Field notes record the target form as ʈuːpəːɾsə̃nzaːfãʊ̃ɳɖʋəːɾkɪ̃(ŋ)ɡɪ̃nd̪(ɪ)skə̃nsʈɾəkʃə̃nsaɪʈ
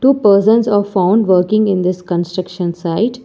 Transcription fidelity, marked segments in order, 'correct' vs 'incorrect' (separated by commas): correct, correct